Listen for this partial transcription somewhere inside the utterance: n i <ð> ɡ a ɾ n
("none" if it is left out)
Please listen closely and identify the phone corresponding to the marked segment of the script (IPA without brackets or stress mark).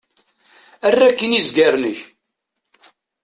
z